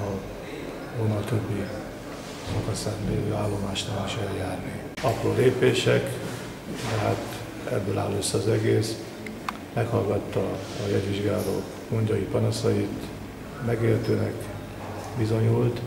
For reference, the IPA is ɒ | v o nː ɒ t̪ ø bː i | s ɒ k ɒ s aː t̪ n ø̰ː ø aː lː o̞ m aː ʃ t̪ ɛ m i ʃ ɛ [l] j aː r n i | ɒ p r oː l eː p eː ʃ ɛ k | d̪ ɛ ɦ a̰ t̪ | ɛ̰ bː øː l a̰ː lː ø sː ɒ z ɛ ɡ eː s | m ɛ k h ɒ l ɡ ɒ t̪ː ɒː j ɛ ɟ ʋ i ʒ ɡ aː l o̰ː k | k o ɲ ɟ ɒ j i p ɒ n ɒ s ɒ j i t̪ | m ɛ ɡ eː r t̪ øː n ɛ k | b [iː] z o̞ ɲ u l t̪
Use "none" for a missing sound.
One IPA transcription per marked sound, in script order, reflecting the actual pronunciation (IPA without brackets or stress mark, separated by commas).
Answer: l, i